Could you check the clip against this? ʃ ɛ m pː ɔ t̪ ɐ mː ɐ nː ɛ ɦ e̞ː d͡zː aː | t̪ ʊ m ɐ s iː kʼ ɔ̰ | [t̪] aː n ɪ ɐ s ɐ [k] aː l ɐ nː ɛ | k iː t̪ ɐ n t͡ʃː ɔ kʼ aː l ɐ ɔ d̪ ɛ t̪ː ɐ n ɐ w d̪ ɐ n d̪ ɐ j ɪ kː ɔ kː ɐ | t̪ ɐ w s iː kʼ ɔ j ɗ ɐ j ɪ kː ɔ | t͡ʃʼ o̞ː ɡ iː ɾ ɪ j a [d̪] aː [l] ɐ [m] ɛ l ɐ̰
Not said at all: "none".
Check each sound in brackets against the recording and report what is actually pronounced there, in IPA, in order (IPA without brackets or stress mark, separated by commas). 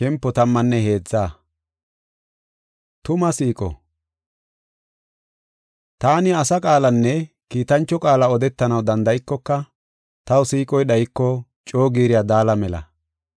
t̪, kʼ, d̪, l, m